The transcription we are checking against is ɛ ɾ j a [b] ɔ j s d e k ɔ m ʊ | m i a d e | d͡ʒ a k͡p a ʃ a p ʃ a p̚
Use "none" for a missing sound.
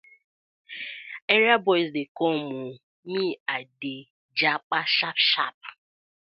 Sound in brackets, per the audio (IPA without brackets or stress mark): b